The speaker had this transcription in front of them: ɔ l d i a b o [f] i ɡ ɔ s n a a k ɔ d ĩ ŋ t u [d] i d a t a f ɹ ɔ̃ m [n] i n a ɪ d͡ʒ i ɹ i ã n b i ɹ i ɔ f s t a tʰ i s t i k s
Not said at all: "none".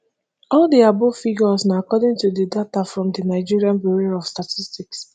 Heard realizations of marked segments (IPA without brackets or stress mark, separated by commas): f, d, d